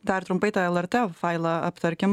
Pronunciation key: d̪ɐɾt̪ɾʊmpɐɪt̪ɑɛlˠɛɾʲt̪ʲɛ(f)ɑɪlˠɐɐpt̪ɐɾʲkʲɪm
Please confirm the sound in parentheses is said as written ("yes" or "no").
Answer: yes